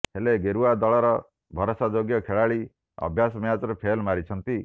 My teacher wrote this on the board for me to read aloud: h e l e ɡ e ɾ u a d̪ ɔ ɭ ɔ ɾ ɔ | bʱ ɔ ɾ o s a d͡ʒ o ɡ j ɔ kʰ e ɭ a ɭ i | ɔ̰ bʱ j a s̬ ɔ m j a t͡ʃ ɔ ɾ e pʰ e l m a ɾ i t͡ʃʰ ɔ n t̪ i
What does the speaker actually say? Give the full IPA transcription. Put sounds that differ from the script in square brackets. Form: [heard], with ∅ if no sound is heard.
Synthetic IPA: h e l e ɡ e ɾ u a d̪ ɔ ɭ ɔ ɾ ɔ | bʱ ɔ ɾ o s a d͡ʒ o ɡ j ɔ kʰ e ɭ a ɭ i | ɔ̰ bʱ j a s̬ ɔ m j a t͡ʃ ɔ ɾ e pʰ e l m a ɾ i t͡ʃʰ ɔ n t̪ i